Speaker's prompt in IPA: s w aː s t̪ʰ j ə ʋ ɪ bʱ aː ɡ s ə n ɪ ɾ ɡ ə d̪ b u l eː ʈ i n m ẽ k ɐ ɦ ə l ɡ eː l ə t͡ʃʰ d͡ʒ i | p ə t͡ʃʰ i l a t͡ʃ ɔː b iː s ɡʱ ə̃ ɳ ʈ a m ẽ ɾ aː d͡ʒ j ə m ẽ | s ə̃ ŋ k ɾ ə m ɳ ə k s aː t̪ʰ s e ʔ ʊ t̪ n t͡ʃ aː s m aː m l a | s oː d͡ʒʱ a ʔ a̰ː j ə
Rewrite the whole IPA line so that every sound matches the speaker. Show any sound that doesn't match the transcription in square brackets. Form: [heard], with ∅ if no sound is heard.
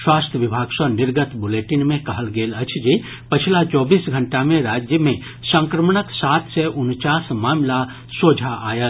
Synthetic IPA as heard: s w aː s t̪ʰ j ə ʋ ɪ bʱ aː ɡ s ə n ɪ ɾ ɡ ə [t̪] b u l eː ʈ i n m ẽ k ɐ ɦ ə l ɡ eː l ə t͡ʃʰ d͡ʒ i | p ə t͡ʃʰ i l a t͡ʃ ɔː b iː s ɡʱ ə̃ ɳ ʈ a m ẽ ɾ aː d͡ʒ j ə m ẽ | s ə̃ ŋ k ɾ ə m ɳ ə k s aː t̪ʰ s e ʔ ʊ [∅] n t͡ʃ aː s m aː m l a | s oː d͡ʒʱ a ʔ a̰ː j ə